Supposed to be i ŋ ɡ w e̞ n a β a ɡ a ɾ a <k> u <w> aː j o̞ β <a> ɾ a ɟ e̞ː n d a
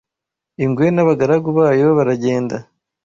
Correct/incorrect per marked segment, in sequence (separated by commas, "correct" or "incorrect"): incorrect, incorrect, correct